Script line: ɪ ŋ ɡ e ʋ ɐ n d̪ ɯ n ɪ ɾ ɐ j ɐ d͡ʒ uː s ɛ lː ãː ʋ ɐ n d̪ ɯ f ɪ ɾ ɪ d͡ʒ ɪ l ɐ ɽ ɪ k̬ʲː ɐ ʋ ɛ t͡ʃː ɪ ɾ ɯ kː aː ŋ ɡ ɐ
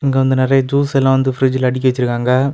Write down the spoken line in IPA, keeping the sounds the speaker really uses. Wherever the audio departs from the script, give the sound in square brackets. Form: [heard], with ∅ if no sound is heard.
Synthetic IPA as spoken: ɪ ŋ ɡ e ʋ ɐ n d̪ ɯ n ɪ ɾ ɐ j ɐ d͡ʒ uː s ɛ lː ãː ʋ ɐ n d̪ ɯ f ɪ ɾ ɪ d͡ʒ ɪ l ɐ ɽ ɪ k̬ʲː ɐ ʋ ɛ t͡ʃː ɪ ɾ ɯ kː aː ŋ ɡ ɐ